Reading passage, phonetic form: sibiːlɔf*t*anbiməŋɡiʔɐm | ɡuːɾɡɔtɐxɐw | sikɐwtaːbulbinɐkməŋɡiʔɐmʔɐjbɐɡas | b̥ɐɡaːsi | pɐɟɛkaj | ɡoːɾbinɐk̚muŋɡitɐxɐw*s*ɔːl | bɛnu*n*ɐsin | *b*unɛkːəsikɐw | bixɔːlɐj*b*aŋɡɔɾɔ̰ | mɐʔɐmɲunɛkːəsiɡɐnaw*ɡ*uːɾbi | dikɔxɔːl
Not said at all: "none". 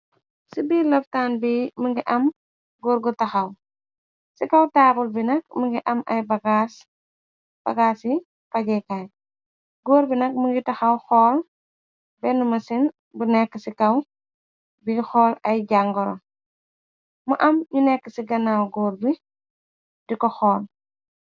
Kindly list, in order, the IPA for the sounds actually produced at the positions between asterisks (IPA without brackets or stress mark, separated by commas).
t, x, m, b, ɟ, ɡ